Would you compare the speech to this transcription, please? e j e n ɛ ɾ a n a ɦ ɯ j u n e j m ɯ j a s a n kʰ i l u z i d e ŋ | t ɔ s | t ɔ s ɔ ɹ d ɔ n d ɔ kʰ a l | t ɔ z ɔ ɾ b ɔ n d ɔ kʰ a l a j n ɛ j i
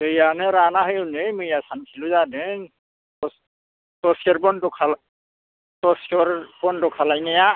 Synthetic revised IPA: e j a n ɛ ɾ a n a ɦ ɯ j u n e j m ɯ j a s a n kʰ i l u z a d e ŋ | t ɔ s | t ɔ s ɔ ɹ b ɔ n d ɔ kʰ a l | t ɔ s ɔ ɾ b ɔ n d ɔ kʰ a l a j n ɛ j a

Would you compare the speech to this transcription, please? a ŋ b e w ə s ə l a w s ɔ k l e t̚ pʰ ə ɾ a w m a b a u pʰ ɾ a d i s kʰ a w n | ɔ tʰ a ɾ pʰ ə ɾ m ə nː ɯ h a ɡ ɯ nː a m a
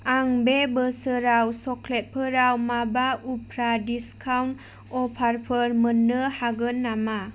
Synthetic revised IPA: a ŋ b e b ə s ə ɾ a w s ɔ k l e t̚ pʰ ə ɾ a w m a b a u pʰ ɾ a d i s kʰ a w n | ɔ pʰ a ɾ pʰ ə ɾ m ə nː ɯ h a ɡ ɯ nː a m a

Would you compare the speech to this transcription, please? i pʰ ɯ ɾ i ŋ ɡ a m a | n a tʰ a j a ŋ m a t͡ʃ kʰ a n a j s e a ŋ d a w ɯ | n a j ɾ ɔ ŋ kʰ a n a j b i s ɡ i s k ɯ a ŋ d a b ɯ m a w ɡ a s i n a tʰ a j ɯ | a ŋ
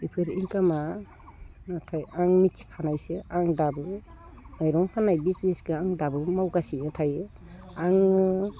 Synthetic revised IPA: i pʰ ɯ ɾ i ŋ k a m a | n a tʰ a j a ŋ m i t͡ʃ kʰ a n a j s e a ŋ d a b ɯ | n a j ɾ ɔ ŋ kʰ a n a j b i s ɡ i s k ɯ a ŋ d a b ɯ m a w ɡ a s i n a tʰ a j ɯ | a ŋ

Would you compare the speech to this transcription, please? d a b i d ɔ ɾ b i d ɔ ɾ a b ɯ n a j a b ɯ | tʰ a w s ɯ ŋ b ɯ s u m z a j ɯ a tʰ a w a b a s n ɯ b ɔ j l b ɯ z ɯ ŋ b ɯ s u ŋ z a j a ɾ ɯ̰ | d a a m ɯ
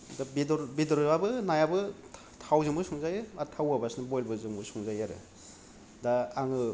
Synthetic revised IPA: d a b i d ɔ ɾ b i d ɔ ɾ a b ɯ n a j a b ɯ | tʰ a w z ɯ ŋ b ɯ s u ŋ z a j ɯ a tʰ a w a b a s n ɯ b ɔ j l b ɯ z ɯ ŋ b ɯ s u ŋ z a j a ɾ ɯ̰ | d a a ŋ ɯ

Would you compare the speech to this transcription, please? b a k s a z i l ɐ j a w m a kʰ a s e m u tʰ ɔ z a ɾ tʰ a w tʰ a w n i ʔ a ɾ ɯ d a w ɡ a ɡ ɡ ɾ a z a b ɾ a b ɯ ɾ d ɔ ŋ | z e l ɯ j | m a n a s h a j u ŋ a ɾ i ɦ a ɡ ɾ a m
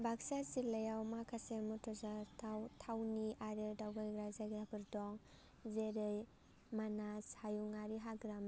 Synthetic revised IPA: b a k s a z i l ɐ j a w m a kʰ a s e m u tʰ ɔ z a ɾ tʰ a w tʰ a w n i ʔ a ɾ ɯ d a w ɡ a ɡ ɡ ɾ a z a ɡ ɾ a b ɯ ɾ d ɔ ŋ | z e ɾ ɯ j | m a n a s h a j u ŋ a ɾ i ɦ a ɡ ɾ a m

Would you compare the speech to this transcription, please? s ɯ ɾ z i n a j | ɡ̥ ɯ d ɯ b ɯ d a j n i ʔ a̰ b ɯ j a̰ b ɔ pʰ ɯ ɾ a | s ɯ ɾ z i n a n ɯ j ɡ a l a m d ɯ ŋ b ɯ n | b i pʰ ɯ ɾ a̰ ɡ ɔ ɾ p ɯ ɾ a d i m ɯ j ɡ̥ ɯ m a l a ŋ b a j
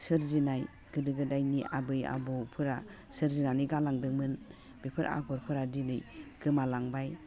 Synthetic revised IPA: s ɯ ɾ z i n a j | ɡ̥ ɯ d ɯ ɡ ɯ d a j n i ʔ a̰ b ɯ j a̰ b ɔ pʰ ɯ ɾ a | s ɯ ɾ z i n a n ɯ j ɡ a l a ŋ d ɯ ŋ m ɯ n | b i pʰ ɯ ɾ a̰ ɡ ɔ ɾ pʰ ɯ ɾ a d i n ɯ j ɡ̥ ɯ m a l a ŋ b a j

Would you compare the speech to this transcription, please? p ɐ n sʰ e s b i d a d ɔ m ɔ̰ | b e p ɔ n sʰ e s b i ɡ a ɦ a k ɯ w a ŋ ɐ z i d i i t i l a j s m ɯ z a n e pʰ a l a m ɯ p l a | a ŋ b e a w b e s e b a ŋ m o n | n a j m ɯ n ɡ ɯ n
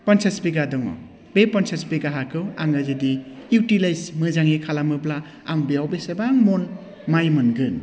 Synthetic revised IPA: p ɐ n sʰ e s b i ɡ a d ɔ ŋ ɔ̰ | b e p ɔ n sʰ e s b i ɡ a ɦ a k ɯ w a ŋ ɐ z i d i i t i l a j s m ɯ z a ŋ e kʰ a l a m ɯ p l a | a ŋ b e a w b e s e b a ŋ m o n | m a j m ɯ n ɡ ɯ n

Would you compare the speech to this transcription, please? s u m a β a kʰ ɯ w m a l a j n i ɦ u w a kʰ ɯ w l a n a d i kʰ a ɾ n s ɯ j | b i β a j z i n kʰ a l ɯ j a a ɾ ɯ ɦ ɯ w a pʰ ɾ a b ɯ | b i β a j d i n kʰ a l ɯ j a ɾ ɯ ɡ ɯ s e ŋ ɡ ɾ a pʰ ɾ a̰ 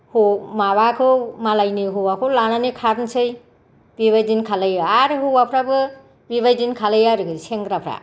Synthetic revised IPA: h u m a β a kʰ ɯ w m a l a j n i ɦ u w a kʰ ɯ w l a n a n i kʰ a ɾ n s ɯ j | b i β a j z i n kʰ a l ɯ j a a ɾ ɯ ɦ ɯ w a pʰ ɾ a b ɯ | b i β a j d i n kʰ a l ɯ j a ɾ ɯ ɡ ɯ s e ŋ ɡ ɾ a pʰ ɾ a̰

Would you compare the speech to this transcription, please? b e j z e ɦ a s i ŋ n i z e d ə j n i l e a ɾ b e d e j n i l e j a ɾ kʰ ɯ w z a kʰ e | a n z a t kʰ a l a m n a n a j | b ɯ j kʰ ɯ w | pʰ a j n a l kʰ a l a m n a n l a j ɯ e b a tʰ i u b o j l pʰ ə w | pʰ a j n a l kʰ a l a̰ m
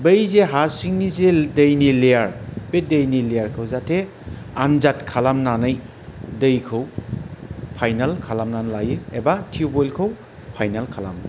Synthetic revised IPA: b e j z e ɦ a s i ŋ n i z e d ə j n i l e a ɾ b e d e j n i l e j a ɾ kʰ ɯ w z a tʰ e | a n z a t kʰ a l a m n a n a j | d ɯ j kʰ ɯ w | pʰ a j n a l kʰ a l a m n a n l a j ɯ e b a tʰ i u b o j l kʰ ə w | pʰ a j n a l kʰ a l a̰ m

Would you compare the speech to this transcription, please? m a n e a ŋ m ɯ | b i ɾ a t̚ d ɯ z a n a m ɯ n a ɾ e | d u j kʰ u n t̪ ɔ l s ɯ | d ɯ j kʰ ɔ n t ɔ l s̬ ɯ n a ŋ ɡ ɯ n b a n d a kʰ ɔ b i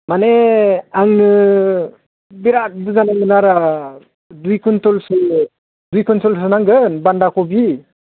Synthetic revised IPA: m a n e a ŋ n ɯ | b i ɾ a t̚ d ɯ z a n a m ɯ n a ɾ a | d u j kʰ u n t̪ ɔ l s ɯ | d u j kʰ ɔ n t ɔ l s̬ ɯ n a ŋ ɡ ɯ n b a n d a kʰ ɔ b i

